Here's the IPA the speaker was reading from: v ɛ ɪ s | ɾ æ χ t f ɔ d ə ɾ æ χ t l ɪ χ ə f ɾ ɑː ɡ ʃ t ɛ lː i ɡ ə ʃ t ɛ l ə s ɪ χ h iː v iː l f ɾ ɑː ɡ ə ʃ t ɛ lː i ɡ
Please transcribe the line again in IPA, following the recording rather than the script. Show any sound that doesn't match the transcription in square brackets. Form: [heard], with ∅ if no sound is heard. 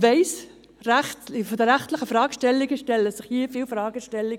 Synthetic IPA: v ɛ ɪ s | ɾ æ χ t f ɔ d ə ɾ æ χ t l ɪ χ ə f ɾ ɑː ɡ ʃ t ɛ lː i ɡ ə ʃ t ɛ l ə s ɪ χ h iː [f] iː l f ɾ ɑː ɡ ə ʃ t ɛ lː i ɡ